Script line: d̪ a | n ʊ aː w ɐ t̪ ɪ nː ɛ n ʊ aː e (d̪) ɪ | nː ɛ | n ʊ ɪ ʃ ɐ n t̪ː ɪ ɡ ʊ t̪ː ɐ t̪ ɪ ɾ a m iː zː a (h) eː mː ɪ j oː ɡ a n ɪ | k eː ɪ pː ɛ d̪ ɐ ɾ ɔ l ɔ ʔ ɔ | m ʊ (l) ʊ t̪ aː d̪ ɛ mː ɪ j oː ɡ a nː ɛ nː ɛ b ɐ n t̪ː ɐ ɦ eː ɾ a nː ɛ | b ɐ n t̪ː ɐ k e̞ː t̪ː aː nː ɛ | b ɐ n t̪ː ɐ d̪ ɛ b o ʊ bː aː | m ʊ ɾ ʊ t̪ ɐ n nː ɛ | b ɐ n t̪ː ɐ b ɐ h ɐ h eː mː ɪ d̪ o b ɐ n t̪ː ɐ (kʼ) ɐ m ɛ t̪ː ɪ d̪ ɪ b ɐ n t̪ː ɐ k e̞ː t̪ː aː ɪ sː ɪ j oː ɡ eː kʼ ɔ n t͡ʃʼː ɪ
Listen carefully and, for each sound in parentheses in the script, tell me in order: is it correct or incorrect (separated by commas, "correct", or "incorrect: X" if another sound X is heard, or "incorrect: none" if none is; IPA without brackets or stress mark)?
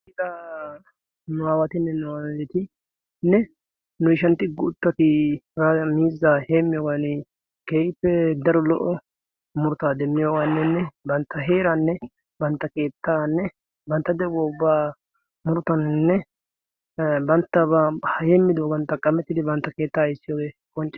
incorrect: t̪, correct, incorrect: ɾ, correct